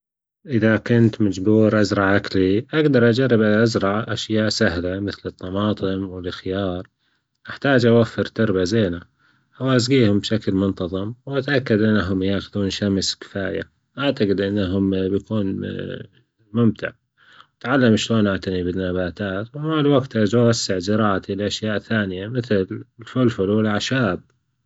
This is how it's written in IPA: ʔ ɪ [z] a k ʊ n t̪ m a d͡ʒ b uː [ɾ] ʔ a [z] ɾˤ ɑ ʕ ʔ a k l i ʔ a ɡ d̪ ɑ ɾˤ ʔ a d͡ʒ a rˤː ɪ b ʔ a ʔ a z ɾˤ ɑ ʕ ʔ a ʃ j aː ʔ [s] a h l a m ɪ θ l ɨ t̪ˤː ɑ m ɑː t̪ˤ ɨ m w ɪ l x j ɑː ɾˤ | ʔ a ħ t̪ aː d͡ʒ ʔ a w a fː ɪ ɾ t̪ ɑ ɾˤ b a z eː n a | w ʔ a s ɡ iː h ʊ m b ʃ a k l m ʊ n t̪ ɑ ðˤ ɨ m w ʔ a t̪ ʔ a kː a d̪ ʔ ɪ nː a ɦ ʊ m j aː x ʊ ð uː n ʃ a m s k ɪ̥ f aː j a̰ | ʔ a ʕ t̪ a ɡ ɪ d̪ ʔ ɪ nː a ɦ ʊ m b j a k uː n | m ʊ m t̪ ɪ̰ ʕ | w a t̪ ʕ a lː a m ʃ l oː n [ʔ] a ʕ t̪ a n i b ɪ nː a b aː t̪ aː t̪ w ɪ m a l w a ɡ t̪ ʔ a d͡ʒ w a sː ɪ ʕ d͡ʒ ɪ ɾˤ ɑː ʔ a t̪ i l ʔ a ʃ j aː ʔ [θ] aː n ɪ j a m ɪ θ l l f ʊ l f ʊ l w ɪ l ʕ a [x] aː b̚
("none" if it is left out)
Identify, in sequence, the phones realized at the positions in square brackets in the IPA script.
ð, ɾ, z, s, ʔ, θ, ʃ

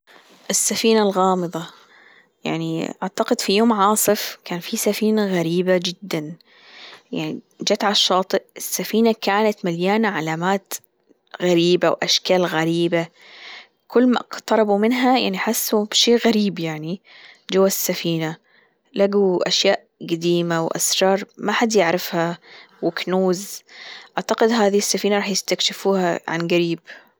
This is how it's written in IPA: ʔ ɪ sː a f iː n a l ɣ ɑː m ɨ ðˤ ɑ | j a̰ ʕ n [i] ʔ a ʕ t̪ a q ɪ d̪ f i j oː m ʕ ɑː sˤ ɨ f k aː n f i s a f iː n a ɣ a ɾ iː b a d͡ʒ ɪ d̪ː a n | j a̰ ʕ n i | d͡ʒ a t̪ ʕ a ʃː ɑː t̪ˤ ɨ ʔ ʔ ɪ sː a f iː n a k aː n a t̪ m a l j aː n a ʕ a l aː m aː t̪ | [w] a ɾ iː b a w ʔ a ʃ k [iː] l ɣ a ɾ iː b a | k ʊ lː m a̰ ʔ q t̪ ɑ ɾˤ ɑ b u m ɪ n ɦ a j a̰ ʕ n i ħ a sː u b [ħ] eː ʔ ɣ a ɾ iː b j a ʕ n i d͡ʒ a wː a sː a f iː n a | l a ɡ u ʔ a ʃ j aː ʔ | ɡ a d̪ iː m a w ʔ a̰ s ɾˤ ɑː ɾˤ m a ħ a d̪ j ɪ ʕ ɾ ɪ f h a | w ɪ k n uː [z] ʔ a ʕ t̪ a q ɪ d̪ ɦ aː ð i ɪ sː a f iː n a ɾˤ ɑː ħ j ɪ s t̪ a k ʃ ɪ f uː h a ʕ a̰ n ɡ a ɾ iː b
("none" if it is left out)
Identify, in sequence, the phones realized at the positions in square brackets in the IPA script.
i, ɣ, aː, ʃ, z

